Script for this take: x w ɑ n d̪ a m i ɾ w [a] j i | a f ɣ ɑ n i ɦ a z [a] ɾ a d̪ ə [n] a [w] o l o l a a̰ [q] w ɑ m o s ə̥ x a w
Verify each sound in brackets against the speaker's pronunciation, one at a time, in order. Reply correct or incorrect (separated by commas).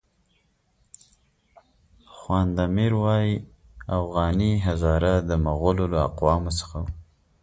incorrect, incorrect, incorrect, incorrect, correct